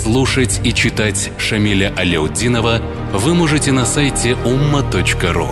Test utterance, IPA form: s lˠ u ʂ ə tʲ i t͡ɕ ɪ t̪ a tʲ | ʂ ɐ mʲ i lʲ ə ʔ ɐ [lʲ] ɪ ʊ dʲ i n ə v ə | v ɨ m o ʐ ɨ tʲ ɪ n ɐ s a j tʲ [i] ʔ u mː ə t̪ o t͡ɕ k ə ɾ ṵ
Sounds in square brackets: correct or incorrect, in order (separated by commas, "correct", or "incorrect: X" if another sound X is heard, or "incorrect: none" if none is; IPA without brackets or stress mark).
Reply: correct, incorrect: ɪ